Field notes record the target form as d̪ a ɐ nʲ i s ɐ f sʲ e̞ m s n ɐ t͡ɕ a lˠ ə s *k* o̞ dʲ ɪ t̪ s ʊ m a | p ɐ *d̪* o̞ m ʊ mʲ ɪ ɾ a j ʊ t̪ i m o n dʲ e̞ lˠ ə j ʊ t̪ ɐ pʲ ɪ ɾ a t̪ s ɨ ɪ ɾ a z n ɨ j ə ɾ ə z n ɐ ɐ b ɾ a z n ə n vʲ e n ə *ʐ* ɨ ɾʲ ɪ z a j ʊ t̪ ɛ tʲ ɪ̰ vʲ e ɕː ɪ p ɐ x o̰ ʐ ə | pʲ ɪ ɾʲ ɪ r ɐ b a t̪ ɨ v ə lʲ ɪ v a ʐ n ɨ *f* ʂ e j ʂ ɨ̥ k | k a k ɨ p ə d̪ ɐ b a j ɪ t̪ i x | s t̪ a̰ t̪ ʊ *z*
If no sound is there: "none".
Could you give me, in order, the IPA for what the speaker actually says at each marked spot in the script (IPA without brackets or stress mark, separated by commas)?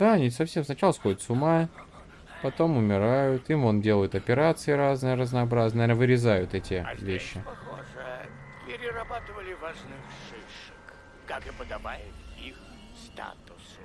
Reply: x, t̪, v, x, s